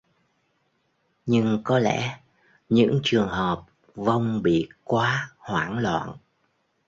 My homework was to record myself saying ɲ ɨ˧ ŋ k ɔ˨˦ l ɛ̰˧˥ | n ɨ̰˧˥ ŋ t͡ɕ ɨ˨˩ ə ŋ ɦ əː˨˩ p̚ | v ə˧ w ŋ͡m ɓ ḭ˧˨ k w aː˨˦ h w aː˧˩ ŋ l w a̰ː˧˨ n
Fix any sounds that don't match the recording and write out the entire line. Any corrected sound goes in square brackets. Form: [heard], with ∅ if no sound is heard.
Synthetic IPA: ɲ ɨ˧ ŋ k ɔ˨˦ l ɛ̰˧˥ | [ɲ] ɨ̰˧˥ ŋ t͡ɕ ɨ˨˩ ə ŋ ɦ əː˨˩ p̚ | v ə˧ w ŋ͡m ɓ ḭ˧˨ k w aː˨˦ h w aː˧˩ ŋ l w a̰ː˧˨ n